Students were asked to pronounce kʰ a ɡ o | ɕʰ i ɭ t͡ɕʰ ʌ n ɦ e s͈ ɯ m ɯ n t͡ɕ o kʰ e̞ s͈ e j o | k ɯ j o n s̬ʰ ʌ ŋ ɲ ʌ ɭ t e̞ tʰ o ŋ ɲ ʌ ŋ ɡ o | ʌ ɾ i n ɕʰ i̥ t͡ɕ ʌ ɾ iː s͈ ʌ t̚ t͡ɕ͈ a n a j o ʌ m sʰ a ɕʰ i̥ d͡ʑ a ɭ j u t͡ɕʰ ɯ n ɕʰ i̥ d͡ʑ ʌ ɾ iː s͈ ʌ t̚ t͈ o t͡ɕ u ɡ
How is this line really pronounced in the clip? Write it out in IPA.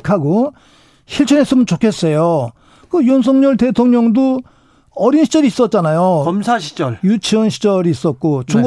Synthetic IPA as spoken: kʰ a ɡ o | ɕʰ i ɭ t͡ɕʰ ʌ n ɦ e s͈ ɯ m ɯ n t͡ɕ o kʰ e̞ s͈ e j o | k ɯ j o n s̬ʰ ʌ ŋ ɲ ʌ ɭ t e̞ tʰ o ŋ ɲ ʌ ŋ d o | ʌ ɾ i n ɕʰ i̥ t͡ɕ ʌ ɾ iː s͈ ʌ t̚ t͡ɕ͈ a n a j o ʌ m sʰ a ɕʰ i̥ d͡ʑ ʌ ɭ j u t͡ɕʰ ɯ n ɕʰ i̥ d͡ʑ ʌ ɾ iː s͈ ʌ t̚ k͈ o t͡ɕ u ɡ